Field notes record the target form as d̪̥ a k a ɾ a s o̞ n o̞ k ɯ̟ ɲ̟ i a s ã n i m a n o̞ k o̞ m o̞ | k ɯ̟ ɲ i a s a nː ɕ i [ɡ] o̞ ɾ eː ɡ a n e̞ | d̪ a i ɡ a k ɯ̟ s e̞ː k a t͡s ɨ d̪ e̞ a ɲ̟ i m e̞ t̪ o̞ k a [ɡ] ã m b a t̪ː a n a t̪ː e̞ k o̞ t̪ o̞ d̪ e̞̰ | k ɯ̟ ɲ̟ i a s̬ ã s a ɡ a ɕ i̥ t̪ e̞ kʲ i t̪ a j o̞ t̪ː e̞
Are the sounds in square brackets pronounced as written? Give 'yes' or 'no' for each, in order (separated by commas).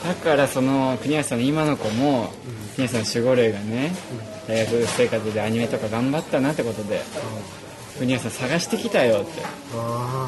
yes, yes